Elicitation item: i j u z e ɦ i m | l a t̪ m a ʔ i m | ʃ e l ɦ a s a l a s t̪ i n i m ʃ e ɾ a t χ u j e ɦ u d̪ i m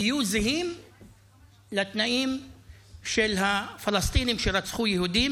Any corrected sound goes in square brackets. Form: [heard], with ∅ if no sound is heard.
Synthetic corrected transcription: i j u z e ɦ i m | l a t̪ [n] a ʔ i m | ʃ e l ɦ a [f] a l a s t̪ i n i m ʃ e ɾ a [t͡s] χ u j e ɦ u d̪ i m